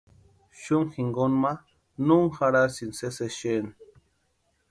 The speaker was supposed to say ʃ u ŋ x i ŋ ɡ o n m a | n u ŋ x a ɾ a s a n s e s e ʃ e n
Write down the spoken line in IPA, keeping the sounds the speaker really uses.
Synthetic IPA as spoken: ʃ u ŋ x i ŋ ɡ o n m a | n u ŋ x a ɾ a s i n s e s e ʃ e n